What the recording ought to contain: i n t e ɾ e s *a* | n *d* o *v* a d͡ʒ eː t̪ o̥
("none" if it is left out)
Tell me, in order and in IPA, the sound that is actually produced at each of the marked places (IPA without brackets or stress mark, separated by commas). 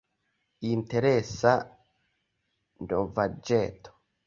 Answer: a, d, v